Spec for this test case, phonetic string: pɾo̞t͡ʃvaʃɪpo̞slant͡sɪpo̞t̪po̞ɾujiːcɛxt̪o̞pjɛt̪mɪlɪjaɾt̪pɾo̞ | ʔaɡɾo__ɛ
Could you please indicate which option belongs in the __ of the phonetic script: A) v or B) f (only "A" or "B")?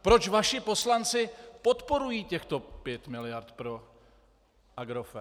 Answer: B